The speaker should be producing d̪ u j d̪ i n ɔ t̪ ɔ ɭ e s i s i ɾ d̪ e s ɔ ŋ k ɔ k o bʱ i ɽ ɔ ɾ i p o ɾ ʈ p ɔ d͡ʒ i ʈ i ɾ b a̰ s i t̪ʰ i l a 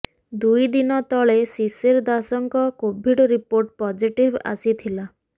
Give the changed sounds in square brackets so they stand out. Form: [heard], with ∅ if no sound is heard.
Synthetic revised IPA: d̪ u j d̪ i n ɔ t̪ ɔ ɭ e s i s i ɾ d̪ [a] s ɔ ŋ k ɔ k o bʱ i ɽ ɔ ɾ i p o ɾ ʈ p ɔ d͡ʒ i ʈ i [∅] b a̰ s i t̪ʰ i l a